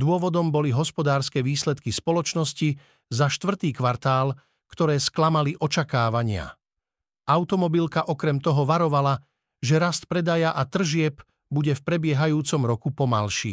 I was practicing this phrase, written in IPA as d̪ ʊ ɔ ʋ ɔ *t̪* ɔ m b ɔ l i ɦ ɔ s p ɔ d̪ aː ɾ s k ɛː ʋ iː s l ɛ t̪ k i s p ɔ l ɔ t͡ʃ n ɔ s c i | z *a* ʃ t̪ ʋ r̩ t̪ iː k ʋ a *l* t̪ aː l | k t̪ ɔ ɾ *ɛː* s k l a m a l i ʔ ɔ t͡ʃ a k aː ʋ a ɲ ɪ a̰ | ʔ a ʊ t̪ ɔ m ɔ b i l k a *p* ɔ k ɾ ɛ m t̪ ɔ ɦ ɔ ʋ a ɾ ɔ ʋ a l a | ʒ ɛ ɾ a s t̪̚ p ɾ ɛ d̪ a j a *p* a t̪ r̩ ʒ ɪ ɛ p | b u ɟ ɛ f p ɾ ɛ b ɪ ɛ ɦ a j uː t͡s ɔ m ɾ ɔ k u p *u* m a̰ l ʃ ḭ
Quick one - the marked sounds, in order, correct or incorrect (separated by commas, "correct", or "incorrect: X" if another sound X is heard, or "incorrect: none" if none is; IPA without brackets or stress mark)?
incorrect: d̪, correct, incorrect: ɾ, correct, incorrect: ʔ, incorrect: ʔ, incorrect: ɔ